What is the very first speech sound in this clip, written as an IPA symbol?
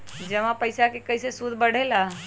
d͡ʒ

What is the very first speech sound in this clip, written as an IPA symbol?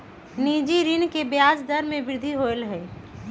n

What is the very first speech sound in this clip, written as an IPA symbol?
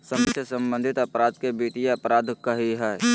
s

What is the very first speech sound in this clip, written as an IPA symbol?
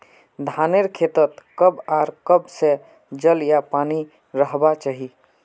d̪ʱ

